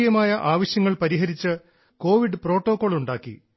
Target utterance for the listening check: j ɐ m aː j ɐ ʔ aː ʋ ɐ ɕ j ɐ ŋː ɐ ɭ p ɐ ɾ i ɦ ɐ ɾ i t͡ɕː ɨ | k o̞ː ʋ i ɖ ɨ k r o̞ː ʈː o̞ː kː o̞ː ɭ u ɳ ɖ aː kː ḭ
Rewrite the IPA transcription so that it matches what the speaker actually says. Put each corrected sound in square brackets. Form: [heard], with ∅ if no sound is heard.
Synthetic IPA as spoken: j ɐ m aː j ɐ ʔ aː ʋ ɐ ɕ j ɐ ŋː ɐ ɭ p ɐ ɾ i ɦ ɐ ɾ i t͡ɕː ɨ | k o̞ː ʋ i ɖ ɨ [p] r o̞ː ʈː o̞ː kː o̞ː ɭ u ɳ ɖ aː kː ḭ